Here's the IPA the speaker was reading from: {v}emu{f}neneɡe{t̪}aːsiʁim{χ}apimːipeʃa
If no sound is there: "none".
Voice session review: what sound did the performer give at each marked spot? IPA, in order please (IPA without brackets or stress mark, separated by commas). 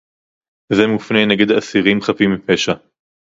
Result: z, f, d̪, χ